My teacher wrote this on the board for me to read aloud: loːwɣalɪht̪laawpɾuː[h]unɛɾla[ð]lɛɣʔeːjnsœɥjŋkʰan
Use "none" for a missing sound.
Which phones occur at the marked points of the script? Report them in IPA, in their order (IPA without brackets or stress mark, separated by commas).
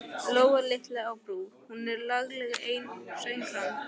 h, ɣ